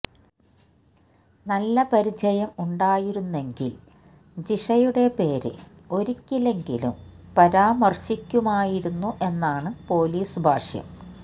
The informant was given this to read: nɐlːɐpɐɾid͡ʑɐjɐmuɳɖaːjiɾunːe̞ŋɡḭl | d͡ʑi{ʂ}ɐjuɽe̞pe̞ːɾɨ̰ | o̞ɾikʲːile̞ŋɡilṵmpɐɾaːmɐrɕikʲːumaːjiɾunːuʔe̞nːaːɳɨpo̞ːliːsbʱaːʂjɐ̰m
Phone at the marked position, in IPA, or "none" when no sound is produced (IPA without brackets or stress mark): ʂ